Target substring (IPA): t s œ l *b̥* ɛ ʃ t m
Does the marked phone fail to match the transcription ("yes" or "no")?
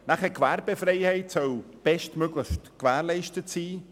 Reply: no